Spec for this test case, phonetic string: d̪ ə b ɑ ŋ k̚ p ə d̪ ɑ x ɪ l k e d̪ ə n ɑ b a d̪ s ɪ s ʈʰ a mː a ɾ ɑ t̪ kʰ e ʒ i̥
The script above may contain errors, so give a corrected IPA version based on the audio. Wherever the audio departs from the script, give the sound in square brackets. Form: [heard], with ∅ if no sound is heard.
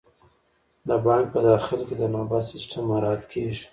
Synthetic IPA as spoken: d̪ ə b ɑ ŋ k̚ p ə d̪ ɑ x ɪ l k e d̪ ə n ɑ b a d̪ s ɪ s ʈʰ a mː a ɾ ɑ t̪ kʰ e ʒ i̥